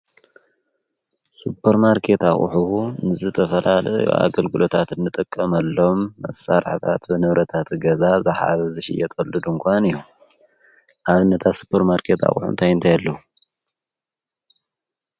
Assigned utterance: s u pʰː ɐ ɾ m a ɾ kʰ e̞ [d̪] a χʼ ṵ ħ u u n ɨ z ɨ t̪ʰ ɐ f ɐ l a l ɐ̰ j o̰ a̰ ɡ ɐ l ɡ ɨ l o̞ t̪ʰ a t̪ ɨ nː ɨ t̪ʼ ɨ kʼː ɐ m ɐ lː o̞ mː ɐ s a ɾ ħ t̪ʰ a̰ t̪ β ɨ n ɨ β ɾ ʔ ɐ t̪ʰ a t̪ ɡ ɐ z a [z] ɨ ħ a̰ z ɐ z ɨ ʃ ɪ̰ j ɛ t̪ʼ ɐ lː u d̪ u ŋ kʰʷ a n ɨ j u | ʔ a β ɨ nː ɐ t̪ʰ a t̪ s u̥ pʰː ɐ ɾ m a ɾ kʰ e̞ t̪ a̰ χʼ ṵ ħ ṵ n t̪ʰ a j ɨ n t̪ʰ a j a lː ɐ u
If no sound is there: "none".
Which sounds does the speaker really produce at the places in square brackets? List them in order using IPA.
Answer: t̪, z

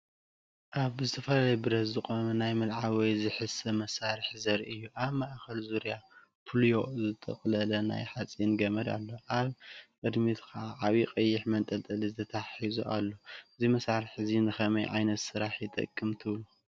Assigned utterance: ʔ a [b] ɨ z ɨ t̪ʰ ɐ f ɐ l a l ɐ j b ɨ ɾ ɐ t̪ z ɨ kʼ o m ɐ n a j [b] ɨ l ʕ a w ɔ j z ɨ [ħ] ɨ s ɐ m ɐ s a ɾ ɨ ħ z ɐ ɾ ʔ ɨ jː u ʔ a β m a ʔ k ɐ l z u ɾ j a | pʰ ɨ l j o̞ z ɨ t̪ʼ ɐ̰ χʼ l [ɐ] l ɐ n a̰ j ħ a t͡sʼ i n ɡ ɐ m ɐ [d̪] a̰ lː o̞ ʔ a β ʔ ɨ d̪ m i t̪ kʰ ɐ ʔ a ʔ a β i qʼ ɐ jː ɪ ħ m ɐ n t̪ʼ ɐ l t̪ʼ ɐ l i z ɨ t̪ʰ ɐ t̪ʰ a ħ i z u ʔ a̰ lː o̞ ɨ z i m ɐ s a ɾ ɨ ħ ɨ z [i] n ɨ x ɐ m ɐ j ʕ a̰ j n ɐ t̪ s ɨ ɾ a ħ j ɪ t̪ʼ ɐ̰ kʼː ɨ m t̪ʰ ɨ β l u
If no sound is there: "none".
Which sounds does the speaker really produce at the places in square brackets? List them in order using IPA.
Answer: β, m, ħ, ɐ, d̪, i

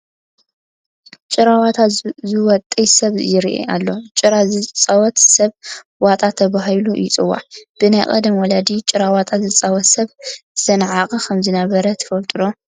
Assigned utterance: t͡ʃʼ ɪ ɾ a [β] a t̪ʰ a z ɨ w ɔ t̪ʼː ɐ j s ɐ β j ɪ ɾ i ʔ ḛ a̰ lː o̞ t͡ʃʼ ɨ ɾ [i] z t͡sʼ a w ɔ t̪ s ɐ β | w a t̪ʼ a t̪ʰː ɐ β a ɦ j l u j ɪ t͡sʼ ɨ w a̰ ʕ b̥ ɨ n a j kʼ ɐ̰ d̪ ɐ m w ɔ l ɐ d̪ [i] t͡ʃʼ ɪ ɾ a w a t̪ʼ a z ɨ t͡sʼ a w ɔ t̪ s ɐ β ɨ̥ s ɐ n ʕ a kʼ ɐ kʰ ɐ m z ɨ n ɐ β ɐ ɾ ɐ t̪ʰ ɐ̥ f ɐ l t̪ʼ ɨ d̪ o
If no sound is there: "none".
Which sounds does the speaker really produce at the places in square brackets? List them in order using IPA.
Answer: w, a, i

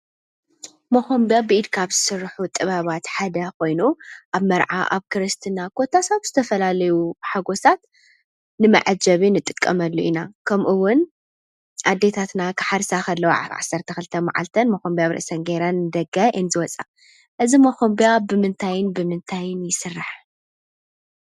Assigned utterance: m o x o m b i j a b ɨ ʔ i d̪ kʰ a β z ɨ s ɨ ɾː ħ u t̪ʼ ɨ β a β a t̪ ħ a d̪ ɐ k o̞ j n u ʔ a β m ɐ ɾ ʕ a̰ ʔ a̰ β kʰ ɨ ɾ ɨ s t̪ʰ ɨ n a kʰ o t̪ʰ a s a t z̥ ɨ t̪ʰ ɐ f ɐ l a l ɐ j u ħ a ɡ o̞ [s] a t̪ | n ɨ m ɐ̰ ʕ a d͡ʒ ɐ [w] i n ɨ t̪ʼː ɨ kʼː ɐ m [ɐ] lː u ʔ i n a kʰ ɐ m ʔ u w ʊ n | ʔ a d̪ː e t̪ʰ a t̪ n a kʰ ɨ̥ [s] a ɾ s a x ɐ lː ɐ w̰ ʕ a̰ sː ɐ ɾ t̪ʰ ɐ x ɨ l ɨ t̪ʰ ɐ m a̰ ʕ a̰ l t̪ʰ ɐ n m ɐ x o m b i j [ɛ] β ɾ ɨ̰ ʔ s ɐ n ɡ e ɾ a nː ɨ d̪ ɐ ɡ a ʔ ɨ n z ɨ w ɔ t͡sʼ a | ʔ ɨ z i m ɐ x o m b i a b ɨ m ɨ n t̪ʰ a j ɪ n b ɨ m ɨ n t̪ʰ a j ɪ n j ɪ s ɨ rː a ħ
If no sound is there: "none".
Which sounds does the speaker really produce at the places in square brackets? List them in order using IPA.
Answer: s, β, ɐ, ħ, a

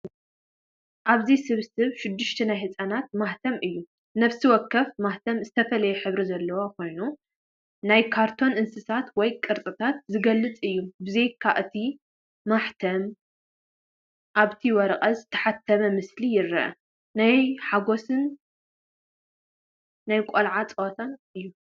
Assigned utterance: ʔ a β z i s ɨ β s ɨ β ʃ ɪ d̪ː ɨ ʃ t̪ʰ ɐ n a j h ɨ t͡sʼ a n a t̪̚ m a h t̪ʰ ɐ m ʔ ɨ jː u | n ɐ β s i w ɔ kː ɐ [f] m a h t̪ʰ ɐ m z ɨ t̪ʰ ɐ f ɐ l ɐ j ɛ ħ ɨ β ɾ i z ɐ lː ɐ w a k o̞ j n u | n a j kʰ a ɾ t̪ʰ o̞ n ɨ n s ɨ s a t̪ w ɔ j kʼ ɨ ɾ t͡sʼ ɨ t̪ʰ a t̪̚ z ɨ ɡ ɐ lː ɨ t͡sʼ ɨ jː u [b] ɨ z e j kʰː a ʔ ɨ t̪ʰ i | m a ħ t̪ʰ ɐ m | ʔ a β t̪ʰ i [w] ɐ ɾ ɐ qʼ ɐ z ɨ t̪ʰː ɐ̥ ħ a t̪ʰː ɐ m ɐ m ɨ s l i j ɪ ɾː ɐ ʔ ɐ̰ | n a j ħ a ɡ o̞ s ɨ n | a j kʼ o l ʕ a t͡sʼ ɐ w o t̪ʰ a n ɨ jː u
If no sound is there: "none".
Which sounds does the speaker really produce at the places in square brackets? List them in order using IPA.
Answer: f, b, w

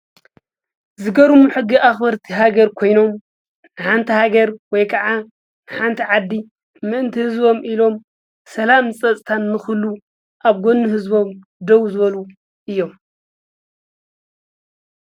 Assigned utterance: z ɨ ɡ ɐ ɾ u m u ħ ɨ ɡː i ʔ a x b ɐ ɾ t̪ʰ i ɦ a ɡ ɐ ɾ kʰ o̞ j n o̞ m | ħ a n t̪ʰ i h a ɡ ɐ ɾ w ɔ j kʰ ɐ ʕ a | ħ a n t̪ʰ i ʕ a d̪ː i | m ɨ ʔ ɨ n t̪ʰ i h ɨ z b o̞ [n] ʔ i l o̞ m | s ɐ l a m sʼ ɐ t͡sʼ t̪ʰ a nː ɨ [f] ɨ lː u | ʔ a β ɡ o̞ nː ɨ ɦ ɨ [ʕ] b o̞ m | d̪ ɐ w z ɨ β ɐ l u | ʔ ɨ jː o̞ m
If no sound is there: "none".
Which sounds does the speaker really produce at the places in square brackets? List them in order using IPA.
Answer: m, x, z

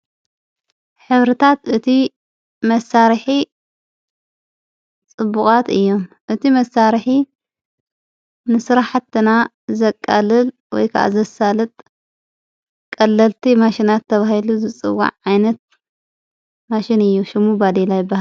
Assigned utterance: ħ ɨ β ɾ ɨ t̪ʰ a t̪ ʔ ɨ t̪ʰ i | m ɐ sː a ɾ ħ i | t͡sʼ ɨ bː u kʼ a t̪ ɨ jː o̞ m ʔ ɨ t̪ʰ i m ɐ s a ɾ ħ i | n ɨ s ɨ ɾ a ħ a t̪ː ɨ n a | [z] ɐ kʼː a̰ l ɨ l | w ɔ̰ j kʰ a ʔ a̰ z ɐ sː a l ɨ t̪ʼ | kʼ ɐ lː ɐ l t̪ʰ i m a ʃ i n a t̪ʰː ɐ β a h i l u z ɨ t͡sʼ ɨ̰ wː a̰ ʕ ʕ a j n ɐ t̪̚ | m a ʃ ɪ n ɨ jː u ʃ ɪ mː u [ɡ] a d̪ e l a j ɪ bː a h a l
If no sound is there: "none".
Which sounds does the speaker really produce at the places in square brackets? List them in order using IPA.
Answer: z, b

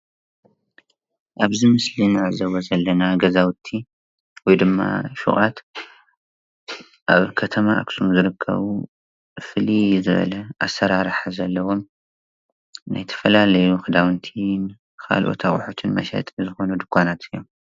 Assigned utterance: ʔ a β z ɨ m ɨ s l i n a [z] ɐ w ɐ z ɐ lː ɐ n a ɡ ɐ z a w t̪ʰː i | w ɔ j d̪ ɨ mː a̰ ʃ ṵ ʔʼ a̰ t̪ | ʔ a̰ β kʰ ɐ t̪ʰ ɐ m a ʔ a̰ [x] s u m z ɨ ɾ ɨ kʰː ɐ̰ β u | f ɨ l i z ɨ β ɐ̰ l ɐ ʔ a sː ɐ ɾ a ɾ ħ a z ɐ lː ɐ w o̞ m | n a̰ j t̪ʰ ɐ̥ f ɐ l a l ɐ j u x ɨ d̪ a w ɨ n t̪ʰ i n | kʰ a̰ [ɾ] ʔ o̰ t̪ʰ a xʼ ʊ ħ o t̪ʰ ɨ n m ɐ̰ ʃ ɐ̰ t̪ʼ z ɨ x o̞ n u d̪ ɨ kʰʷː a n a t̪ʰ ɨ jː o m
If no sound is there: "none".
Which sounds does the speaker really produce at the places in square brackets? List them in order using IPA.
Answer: z, k, l

